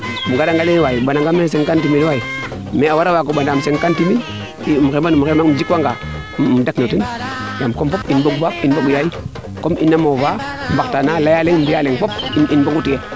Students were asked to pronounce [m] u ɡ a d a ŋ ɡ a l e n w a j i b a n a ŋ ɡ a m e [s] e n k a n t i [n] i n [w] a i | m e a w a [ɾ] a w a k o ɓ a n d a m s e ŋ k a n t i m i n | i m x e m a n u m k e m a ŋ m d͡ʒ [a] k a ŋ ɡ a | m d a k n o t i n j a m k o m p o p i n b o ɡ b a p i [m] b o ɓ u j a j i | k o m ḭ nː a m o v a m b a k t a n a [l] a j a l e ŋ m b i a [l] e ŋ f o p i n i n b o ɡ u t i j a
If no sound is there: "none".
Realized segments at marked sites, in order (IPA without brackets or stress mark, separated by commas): m, s, m, w, ɾ, i, n, l, l